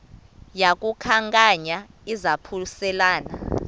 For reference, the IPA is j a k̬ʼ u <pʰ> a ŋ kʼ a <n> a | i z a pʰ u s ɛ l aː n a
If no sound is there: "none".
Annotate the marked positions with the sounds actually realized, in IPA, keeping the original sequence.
kʰ, ɲ

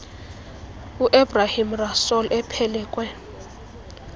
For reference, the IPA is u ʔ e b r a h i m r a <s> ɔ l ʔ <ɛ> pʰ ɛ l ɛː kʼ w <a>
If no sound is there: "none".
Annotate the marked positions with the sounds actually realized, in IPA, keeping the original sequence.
s, ɛ, ɛ

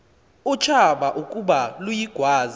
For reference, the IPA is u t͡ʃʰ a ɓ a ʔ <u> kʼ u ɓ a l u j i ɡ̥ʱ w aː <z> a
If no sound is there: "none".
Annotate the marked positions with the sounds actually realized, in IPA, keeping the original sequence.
u, z

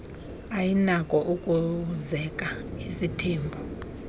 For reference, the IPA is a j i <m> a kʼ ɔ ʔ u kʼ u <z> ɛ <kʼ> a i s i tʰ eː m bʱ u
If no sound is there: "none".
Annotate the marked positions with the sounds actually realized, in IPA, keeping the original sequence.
n, z, kʼ

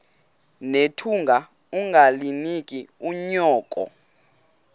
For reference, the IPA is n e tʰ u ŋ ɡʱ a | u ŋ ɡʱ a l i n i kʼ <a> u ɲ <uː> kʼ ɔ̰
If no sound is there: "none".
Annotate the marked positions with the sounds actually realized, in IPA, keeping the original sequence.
i, ɔː

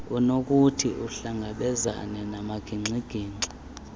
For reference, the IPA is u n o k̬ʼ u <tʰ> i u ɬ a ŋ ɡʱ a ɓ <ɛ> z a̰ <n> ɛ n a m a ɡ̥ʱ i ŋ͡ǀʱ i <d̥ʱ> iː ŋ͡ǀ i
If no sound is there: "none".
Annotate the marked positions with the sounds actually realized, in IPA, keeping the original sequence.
tʰ, ɛ, n, ɡ̥ʱ

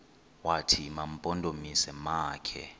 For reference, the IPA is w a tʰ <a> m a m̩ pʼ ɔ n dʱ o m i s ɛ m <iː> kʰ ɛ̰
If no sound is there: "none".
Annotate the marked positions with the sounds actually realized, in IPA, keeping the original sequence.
i, aː

